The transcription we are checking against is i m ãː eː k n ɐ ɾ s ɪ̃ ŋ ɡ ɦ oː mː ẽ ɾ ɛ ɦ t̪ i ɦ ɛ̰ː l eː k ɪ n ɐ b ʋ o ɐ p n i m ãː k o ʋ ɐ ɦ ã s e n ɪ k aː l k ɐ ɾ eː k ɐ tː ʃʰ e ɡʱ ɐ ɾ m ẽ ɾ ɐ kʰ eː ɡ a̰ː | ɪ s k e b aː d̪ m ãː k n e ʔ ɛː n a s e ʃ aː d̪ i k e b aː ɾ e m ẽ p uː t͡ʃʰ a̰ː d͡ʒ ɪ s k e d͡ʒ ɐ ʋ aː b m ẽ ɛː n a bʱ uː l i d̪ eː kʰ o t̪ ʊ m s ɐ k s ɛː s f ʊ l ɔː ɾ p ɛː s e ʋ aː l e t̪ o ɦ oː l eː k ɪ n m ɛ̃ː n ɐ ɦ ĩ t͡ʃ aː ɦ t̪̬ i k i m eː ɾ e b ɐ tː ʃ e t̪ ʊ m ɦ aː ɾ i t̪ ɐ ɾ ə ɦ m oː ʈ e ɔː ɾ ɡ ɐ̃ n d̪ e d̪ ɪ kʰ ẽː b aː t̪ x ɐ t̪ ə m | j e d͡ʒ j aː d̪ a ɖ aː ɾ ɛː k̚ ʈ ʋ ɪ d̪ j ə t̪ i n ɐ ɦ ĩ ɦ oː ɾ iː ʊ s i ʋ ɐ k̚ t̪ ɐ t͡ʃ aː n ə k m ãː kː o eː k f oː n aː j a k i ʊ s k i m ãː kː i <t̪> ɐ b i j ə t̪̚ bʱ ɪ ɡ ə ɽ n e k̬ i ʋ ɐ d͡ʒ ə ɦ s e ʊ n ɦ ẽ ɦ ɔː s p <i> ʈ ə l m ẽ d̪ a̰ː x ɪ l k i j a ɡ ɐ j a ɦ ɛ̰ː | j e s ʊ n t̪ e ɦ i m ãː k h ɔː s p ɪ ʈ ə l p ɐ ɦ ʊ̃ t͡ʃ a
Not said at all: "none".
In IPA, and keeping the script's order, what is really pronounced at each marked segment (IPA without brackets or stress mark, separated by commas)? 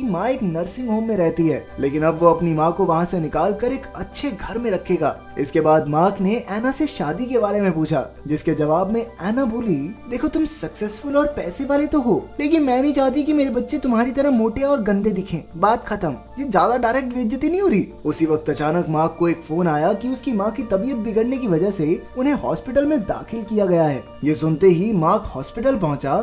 t̪, ɪ